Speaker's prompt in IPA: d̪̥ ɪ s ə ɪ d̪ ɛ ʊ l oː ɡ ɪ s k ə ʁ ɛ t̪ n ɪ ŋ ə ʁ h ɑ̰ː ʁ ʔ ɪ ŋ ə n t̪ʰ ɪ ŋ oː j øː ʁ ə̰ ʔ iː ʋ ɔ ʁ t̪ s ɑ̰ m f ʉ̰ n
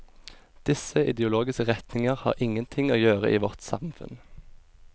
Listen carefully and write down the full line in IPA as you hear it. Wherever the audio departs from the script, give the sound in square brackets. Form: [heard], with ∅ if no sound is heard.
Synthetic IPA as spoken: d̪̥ ɪ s ə ɪ d̪ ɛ ʊ l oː ɡ ɪ s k ə ʁ ɛ t̪ n ɪ ŋ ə ʁ h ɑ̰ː ʁ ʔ ɪ ŋ ə n t̪ʰ ɪ ŋ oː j øː ʁ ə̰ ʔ iː ʋ ɔ ʁ t̪ s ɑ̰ m f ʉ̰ n